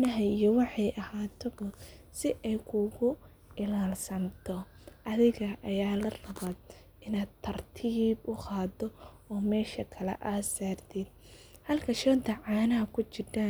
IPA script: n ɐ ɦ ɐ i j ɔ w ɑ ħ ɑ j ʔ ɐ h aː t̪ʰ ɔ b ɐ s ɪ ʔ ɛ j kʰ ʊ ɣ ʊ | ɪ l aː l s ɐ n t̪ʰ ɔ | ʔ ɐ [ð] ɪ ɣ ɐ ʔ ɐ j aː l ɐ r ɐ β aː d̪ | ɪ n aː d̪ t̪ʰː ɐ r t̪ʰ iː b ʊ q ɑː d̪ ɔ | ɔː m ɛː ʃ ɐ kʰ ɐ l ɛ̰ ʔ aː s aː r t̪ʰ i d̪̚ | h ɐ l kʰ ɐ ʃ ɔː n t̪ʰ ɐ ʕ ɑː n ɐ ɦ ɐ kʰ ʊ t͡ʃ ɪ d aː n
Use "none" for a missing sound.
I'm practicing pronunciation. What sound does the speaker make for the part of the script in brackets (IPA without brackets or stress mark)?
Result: ð